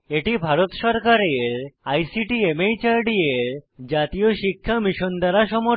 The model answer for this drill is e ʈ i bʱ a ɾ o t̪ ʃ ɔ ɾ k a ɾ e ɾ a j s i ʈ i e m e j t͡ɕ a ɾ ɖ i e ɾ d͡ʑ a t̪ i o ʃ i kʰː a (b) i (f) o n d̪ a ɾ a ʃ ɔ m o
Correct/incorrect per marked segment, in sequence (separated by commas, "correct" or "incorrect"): incorrect, incorrect